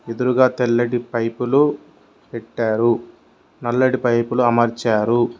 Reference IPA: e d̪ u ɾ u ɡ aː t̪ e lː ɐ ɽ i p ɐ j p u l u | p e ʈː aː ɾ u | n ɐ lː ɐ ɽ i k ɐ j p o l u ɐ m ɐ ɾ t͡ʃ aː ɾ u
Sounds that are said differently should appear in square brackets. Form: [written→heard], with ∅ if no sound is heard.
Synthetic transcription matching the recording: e d̪ u ɾ u ɡ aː t̪ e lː ɐ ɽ i p ɐ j p u l u | p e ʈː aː ɾ u | n ɐ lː ɐ ɽ i [k→p] ɐ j p [o→u] l u ɐ m ɐ ɾ t͡ʃ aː ɾ u